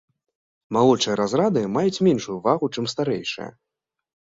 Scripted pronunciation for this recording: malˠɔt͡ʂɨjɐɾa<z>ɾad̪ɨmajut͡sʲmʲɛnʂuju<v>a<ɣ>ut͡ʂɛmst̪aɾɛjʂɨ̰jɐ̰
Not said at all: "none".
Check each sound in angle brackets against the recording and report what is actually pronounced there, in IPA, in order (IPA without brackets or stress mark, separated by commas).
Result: z, v, ɣ